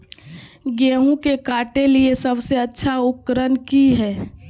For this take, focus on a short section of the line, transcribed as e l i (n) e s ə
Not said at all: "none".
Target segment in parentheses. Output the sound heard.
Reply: none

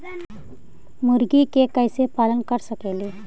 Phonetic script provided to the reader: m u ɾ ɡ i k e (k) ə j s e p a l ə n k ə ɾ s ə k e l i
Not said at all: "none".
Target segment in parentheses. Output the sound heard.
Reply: k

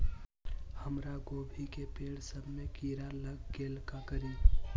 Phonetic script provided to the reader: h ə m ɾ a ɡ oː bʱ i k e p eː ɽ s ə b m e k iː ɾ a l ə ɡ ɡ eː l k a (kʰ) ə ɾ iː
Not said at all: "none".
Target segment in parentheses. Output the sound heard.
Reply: k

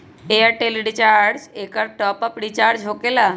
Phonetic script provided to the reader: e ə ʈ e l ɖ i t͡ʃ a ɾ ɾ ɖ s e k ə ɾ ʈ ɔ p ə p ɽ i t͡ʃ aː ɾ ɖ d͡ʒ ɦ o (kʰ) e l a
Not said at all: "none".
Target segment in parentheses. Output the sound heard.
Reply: k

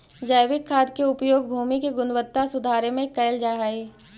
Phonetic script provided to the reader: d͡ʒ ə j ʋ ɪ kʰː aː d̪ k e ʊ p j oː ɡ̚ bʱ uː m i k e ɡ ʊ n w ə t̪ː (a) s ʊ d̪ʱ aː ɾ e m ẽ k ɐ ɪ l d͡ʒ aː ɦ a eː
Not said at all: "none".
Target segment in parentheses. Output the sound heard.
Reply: a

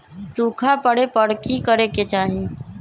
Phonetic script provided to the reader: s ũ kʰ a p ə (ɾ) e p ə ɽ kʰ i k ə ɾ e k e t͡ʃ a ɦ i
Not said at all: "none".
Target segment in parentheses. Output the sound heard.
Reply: ɽ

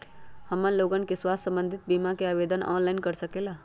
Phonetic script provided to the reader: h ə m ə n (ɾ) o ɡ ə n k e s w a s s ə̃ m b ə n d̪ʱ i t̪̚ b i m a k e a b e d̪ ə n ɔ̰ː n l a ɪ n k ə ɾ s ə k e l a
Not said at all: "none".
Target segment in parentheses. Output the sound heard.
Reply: l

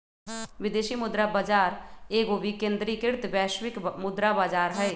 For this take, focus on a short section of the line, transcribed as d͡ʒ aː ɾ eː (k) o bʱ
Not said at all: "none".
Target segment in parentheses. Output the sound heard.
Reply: ɡ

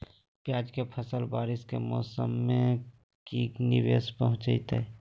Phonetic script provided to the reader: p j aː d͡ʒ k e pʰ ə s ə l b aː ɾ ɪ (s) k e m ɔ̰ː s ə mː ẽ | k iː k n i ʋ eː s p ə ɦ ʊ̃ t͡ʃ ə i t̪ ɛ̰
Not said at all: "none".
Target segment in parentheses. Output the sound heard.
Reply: s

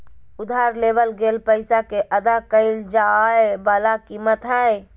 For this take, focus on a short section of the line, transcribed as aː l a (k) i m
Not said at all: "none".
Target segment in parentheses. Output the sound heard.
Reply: k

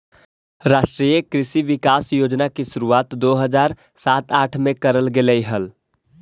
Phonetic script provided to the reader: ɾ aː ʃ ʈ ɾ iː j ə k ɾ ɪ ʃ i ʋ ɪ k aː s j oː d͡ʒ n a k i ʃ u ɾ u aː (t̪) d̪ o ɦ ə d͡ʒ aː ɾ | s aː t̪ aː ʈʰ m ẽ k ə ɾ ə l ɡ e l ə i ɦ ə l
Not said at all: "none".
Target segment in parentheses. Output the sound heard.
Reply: t̪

